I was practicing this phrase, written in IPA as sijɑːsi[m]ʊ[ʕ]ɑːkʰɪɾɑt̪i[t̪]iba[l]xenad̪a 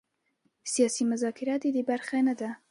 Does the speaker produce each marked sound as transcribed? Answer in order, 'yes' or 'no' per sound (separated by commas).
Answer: yes, no, no, no